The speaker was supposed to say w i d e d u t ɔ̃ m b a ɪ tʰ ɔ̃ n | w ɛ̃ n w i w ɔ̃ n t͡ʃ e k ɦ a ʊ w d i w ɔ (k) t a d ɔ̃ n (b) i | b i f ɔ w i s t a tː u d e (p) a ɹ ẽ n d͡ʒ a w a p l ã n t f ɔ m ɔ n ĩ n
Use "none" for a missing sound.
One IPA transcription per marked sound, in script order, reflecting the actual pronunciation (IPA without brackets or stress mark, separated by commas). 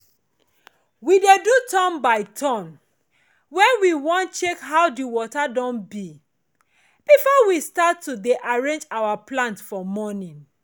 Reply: none, b, ʔ